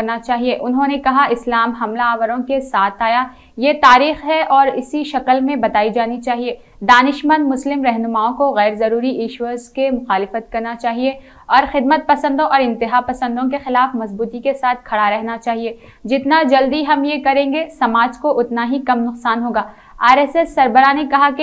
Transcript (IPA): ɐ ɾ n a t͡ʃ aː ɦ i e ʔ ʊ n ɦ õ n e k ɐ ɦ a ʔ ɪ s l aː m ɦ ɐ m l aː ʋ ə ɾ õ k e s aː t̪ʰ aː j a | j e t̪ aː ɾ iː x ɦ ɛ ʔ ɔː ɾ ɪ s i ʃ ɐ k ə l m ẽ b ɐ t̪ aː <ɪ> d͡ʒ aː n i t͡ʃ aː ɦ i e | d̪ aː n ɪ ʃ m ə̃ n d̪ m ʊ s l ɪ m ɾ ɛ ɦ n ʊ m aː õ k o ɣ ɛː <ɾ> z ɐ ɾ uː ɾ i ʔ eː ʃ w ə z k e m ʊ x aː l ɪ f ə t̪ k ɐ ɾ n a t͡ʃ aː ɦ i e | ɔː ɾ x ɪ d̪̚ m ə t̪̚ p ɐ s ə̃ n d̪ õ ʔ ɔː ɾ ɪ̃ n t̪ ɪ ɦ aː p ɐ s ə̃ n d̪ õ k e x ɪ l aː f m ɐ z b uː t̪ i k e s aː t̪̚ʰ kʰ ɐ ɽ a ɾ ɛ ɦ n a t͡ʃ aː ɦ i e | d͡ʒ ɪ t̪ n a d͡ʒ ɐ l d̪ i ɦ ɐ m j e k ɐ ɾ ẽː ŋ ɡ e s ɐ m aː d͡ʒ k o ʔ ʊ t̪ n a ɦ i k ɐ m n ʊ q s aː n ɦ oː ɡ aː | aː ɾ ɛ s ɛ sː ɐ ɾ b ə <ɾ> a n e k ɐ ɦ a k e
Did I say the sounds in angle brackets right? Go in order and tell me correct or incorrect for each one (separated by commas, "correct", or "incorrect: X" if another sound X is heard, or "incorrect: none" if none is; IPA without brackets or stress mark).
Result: incorrect: i, correct, correct